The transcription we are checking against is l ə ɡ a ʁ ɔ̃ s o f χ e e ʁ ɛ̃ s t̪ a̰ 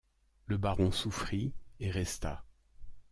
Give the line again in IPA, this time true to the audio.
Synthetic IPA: l ə b a ʁ ɔ̃ s u f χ i e ʁ ɛ s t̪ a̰